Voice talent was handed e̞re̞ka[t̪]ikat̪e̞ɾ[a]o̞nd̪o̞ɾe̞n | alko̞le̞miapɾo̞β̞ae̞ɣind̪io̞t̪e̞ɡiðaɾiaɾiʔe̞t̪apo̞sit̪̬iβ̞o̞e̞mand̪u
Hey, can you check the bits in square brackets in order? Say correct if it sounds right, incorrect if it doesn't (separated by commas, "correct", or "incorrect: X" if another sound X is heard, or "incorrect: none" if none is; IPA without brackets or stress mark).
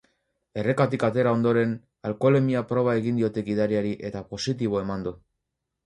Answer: correct, correct